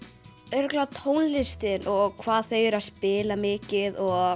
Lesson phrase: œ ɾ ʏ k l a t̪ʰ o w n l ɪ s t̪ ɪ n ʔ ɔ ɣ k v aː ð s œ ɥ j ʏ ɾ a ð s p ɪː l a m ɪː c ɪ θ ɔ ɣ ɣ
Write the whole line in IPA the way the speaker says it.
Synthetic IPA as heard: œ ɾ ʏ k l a t̪ʰ o w n l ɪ s t̪ ɪ n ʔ ɔ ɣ kʰ v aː ð θ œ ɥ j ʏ ɾ a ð s p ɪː l a m ɪː c ɪ ð ɔ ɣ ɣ